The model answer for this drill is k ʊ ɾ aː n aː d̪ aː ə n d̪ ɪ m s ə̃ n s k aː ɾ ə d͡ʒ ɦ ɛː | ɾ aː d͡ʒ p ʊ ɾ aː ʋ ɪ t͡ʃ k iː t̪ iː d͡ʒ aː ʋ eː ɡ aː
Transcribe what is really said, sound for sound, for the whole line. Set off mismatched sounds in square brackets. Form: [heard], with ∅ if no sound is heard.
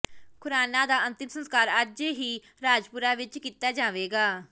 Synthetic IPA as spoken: k ʊ ɾ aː n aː d̪ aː ə n [t̪] ɪ m s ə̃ n s k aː ɾ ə d͡ʒ ɦ [iː] | ɾ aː d͡ʒ p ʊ ɾ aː ʋ ɪ t͡ʃ k iː t̪ [aː] d͡ʒ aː ʋ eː ɡ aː